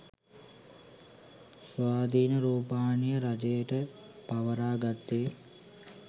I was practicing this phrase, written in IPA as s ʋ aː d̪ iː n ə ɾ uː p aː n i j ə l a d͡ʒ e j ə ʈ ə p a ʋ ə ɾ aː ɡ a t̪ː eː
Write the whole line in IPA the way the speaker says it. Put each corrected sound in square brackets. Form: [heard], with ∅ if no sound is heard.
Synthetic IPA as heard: s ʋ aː d̪ iː n ə ɾ uː p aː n i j ə [ɾ] a d͡ʒ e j ə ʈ ə p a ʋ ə ɾ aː ɡ a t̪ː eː